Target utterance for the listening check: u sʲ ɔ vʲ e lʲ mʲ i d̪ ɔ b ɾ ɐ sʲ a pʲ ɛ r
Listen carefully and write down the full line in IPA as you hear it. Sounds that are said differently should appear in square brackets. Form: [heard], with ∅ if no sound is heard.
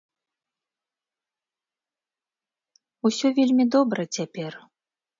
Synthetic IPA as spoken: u sʲ ɔ vʲ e lʲ mʲ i d̪ ɔ b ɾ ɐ [t͡sʲ] a pʲ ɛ r